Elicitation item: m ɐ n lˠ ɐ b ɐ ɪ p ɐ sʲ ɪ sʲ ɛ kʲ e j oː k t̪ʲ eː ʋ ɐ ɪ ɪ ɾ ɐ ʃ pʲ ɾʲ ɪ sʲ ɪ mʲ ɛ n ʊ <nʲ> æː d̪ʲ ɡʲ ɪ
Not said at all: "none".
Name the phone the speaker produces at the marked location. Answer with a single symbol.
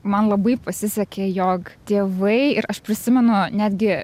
nʲ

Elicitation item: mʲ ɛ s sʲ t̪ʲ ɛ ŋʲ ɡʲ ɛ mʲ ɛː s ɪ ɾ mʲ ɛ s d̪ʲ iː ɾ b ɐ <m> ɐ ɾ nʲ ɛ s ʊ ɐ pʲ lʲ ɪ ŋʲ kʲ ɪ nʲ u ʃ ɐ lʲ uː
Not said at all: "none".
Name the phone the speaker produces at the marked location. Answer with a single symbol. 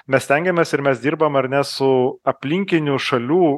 m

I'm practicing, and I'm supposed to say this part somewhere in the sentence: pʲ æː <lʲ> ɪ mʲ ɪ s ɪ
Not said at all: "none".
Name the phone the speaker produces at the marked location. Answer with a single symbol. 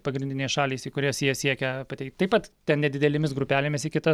lʲ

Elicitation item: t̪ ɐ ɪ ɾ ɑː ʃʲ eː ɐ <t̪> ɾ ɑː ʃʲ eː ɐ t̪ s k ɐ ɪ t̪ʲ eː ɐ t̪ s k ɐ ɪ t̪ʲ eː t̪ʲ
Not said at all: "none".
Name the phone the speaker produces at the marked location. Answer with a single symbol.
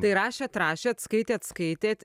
t̪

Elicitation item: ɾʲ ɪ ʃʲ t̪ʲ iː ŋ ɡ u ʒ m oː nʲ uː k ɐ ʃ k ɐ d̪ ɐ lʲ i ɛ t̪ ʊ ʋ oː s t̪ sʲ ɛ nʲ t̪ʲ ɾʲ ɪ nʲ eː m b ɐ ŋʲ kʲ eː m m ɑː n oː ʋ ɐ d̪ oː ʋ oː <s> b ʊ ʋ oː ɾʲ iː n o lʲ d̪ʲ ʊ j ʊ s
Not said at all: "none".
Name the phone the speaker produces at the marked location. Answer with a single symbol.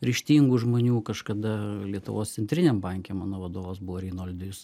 s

